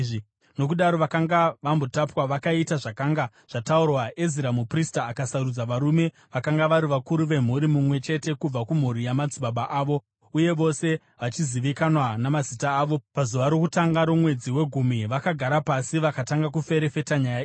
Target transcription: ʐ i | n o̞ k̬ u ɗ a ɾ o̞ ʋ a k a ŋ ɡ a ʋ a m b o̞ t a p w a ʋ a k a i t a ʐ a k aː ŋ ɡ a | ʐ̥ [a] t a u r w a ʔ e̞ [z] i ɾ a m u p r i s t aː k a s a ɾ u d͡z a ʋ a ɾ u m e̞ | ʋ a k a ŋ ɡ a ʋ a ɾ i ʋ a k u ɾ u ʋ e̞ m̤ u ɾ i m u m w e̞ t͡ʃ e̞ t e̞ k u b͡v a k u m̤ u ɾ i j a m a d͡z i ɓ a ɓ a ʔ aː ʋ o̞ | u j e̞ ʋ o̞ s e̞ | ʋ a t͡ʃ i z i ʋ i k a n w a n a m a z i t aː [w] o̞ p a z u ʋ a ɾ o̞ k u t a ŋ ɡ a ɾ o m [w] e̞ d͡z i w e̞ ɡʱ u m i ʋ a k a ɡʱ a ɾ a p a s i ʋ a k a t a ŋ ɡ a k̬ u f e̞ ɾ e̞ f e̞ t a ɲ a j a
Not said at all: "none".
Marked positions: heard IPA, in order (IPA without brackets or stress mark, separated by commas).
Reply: a, z, ʋ, w